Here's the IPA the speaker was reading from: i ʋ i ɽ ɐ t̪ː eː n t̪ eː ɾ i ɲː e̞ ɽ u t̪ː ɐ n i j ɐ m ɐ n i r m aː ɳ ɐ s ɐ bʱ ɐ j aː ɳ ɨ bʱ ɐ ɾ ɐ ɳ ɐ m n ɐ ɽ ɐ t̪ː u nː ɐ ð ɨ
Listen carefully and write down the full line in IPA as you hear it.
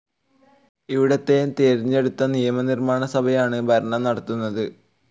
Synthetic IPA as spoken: i ʋ i ɽ ɐ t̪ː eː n t̪ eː ɾ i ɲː e̞ ɽ u t̪ː ɐ n i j ɐ m ɐ n i r m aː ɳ ɐ s ɐ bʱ ɐ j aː ɳ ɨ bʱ ɐ ɾ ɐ ɳ ɐ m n ɐ ɽ ɐ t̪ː u nː ɐ ð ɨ